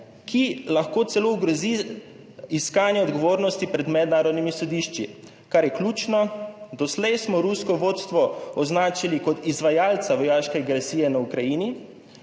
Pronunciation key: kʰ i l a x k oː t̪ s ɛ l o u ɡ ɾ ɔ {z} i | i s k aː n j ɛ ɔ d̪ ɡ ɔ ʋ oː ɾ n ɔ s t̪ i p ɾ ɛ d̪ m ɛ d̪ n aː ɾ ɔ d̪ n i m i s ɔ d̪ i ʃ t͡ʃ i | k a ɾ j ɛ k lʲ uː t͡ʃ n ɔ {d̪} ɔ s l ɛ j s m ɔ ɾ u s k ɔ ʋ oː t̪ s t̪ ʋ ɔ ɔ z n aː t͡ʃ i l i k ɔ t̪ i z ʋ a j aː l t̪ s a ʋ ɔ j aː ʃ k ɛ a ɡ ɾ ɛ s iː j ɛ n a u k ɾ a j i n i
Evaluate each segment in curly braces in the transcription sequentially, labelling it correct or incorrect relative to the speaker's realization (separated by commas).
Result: correct, correct